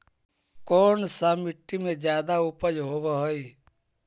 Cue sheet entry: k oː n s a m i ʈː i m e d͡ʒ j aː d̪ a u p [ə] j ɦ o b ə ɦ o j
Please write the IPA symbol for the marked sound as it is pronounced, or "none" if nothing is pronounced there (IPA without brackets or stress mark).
ə